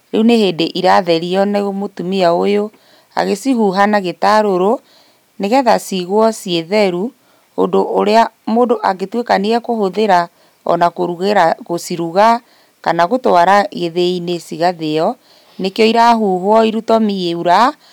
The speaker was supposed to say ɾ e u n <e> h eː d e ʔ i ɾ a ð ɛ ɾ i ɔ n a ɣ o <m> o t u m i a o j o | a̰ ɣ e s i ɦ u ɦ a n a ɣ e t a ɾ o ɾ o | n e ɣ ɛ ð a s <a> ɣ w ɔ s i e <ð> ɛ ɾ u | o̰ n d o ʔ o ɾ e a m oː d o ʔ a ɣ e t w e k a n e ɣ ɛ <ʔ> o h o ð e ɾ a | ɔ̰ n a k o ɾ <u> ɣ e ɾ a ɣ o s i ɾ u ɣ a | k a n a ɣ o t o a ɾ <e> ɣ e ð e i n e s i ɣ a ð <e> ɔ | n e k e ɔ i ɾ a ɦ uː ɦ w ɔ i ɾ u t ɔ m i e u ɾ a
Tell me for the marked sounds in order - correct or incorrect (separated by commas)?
correct, correct, incorrect, correct, incorrect, correct, incorrect, correct